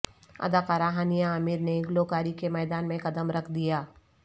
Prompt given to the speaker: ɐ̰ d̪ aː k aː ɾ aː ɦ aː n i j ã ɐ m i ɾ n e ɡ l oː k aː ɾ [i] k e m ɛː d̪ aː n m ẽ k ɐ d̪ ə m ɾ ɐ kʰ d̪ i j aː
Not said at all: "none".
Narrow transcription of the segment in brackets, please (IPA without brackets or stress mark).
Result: i